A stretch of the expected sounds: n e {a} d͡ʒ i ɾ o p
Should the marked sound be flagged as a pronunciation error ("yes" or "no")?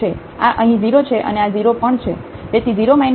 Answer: no